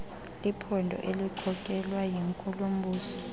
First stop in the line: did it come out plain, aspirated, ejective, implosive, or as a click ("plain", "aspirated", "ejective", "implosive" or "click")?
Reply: aspirated